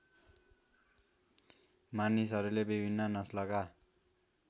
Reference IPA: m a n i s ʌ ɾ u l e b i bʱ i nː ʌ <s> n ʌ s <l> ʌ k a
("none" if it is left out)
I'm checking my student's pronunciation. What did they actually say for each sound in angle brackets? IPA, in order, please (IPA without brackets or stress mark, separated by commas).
none, l